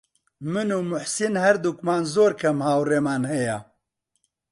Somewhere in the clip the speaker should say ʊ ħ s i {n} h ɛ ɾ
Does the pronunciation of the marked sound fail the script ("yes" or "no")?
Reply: no